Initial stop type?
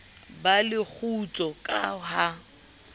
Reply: plain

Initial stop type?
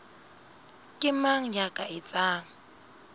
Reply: ejective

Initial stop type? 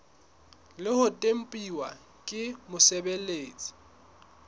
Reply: ejective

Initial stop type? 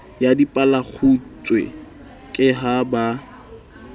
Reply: plain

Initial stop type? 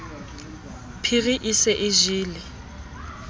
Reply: aspirated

